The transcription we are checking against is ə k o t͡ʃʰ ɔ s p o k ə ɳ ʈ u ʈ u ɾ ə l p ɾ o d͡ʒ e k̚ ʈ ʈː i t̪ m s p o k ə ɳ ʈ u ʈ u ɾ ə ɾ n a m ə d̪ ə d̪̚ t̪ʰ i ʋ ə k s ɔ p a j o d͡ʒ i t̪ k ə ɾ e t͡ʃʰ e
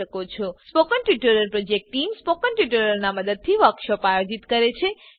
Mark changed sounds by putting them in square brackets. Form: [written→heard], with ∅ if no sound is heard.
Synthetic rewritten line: ə k o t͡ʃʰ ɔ s p o k ə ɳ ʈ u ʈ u ɾ ə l p ɾ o d͡ʒ e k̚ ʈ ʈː i [t̪→∅] m s p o k ə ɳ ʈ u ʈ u ɾ ə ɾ n a m ə d̪ ə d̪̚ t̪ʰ i ʋ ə k [s→ʃ] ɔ p a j o d͡ʒ i t̪ k ə ɾ e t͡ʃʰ e